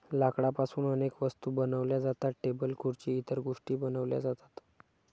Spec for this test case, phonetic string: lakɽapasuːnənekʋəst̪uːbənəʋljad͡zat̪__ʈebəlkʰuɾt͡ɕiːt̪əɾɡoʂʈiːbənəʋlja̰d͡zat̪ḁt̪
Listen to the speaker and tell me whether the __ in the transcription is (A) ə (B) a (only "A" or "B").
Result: B